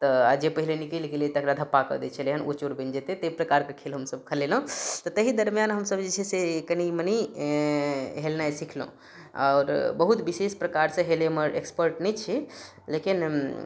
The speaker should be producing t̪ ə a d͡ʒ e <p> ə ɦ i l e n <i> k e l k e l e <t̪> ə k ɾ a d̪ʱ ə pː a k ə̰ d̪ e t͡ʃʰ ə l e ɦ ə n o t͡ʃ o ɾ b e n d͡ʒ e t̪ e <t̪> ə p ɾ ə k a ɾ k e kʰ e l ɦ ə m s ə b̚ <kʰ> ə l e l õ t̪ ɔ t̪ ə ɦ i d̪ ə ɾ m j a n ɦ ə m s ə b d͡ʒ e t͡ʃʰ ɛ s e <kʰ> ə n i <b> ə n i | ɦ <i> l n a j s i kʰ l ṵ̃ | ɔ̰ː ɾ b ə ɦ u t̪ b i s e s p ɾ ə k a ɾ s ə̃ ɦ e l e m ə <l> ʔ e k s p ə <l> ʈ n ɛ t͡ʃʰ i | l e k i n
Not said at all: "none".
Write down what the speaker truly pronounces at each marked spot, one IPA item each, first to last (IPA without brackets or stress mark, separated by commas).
p, i, t̪, t̪, kʰ, k, m, e, ɾ, ɾ